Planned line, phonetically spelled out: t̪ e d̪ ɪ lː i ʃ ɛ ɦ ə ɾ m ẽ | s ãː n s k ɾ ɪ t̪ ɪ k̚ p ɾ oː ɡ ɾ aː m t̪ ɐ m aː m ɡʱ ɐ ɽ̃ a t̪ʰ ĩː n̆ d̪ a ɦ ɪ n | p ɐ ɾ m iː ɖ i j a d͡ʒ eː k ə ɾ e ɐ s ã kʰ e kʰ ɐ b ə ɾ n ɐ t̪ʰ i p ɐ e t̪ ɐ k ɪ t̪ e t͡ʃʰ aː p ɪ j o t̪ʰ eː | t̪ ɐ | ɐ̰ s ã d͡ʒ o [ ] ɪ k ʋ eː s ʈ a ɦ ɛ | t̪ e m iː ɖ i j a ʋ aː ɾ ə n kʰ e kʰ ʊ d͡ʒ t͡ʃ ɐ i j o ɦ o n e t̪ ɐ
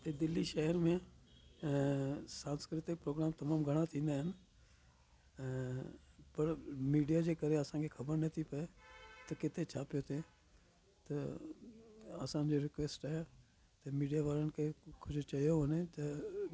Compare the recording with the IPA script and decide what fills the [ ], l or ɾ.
ɾ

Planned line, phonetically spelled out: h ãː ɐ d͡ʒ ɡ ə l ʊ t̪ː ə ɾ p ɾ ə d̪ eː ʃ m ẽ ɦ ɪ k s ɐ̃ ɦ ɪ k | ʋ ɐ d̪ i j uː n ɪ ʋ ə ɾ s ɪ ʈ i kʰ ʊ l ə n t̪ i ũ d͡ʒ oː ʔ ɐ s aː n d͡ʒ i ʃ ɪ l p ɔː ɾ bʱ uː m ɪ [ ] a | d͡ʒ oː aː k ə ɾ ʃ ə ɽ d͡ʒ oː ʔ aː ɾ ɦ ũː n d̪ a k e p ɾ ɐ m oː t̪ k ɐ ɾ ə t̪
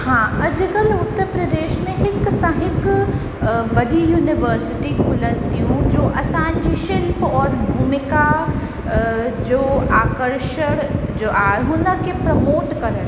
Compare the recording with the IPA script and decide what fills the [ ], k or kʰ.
k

